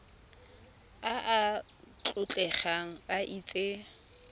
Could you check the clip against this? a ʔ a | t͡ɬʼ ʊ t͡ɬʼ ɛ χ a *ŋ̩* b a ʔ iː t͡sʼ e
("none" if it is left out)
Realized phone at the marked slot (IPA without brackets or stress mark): ŋ̩